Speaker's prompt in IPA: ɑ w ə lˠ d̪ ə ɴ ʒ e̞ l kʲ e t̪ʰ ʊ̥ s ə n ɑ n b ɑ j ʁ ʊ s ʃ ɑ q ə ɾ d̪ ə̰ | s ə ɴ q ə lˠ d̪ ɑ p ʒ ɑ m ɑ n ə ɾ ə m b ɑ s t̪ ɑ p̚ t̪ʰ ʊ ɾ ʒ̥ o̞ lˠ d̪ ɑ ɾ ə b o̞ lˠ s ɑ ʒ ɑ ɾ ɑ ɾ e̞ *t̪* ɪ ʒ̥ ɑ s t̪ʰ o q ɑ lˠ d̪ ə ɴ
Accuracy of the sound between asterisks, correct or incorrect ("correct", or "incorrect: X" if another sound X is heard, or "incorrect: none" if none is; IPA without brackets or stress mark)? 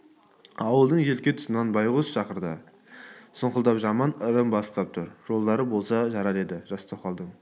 incorrect: d̪